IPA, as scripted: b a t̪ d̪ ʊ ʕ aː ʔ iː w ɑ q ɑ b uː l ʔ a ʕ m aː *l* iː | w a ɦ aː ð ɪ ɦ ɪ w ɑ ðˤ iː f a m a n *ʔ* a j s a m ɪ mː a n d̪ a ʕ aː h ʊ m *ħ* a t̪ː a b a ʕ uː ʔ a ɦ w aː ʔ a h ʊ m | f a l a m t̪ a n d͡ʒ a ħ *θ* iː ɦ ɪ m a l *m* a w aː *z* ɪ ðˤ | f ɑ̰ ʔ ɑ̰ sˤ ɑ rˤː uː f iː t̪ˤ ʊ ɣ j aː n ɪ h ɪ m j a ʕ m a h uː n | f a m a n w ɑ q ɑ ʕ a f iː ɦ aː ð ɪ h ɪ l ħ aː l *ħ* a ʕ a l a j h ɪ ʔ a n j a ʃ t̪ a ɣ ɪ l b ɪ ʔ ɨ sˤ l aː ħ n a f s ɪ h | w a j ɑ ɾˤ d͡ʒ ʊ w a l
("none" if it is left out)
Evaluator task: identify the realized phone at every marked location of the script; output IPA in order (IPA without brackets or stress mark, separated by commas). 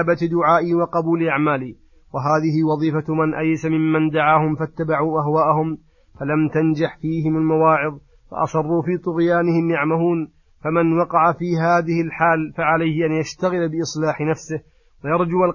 l, ʔ, f, f, m, ʕ, f